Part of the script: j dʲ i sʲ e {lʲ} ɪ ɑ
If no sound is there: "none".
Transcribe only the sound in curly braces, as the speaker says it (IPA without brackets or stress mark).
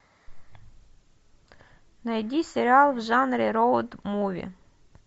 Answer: ɾʲ